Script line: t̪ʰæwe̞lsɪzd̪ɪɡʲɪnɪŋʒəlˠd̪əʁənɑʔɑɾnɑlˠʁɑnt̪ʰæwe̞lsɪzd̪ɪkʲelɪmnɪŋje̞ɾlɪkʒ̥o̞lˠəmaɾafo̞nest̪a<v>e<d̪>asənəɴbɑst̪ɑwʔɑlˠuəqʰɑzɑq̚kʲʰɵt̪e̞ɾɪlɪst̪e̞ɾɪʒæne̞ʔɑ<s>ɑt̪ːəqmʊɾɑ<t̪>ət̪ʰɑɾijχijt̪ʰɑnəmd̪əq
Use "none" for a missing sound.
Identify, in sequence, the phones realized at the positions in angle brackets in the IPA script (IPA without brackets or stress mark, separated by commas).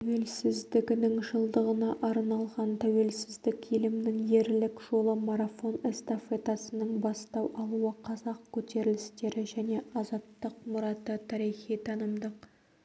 f, t̪, z, t̪